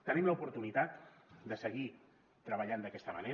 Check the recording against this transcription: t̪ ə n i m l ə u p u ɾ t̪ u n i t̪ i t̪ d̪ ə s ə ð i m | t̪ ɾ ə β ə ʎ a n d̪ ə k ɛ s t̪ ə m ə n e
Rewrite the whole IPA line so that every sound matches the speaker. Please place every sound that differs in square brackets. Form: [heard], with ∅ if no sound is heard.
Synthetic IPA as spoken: t̪ ə n i m l ə u p u ɾ t̪ u n i t̪ [a] t̪ d̪ ə s ə [ɣ] i [∅] | t̪ ɾ ə β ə ʎ a n d̪ ə k ɛ s t̪ ə m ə n e